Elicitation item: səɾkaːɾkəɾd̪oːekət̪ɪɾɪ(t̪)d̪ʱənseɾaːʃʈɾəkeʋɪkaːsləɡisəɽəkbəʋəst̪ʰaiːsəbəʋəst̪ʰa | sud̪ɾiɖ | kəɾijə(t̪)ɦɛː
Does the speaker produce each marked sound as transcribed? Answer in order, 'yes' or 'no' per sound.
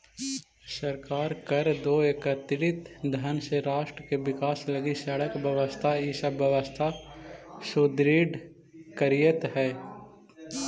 yes, yes

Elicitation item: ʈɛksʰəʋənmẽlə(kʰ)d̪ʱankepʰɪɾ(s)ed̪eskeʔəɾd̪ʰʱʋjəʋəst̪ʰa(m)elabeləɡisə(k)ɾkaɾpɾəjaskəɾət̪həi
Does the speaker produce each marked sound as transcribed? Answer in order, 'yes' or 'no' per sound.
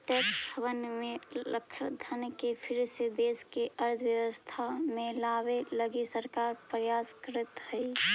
yes, yes, yes, no

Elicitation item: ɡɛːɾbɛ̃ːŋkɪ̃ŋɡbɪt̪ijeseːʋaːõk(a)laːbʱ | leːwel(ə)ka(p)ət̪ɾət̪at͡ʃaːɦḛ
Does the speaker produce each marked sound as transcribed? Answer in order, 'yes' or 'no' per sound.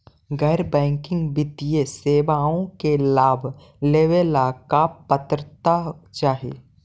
no, no, yes

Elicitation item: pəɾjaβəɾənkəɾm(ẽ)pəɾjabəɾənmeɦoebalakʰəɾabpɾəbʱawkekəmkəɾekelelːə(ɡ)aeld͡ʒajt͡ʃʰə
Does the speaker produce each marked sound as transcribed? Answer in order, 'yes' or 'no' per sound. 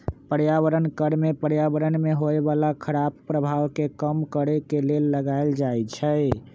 no, yes

